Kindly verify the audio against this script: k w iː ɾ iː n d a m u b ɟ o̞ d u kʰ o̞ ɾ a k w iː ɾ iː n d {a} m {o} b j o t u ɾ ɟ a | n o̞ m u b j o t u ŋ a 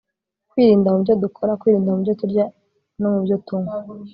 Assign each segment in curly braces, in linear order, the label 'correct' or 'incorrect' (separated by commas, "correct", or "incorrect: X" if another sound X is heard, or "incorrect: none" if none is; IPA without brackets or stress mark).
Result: correct, incorrect: u